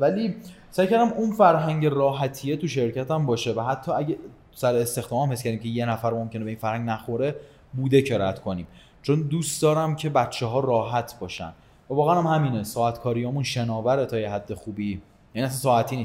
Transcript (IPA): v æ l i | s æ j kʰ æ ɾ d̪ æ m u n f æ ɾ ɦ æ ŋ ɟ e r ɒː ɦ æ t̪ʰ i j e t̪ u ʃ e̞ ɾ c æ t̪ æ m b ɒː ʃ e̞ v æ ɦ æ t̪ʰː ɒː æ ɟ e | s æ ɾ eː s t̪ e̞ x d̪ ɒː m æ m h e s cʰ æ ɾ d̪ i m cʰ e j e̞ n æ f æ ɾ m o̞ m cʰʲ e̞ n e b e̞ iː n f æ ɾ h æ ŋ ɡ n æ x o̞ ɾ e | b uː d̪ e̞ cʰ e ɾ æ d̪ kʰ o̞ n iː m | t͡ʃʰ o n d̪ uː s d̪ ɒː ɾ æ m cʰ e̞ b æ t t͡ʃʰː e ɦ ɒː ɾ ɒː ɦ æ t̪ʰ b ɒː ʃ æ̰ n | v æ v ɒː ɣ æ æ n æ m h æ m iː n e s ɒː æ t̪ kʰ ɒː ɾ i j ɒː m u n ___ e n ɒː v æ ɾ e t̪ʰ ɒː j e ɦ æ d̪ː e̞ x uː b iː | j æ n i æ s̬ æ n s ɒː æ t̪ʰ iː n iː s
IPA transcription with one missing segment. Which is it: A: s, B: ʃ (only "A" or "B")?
B